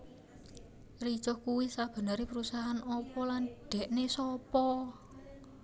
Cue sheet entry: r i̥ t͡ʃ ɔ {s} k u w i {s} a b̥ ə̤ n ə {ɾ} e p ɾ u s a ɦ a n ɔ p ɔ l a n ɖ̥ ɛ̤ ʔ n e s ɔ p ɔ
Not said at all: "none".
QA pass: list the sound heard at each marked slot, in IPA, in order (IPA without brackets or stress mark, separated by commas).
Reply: h, s, ɾ